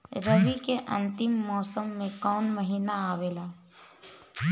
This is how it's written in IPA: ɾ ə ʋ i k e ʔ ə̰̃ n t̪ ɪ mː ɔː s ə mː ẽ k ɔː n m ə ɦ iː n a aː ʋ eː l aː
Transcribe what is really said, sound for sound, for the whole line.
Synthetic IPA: ɾ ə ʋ i k e ʔ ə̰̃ n t̪ ɪ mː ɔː s ə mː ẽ k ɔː n m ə ɦ iː n a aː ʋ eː l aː